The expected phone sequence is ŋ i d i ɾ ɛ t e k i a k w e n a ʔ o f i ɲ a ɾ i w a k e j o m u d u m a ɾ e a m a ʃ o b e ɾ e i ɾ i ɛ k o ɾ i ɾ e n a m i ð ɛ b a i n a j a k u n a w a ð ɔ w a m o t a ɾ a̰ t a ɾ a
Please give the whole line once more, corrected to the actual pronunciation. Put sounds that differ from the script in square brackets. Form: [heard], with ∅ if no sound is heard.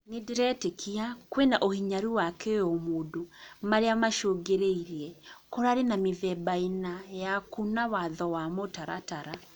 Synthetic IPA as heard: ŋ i d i ɾ ɛ t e k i a k w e n a ʔ o [h] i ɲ a ɾ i w a k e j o m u d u m a ɾ e a m a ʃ o [ɡ] e ɾ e i ɾ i ɛ k o ɾ [a] ɾ e n a m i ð ɛ b a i n a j a k u n a w a ð ɔ w a m o t a ɾ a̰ t a ɾ a